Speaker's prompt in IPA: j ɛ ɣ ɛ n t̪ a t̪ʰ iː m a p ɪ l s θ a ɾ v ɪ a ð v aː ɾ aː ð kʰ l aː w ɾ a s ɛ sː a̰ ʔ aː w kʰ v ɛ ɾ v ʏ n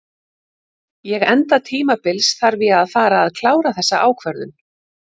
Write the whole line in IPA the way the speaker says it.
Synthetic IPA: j ɛ ɣ ɛ n t̪ a t̪ʰ iː m a p ɪ l s θ a ɾ v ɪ a ð f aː ɾ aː ð kʰ l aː w ɾ a θ ɛ sː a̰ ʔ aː w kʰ v ɛ ɾ ð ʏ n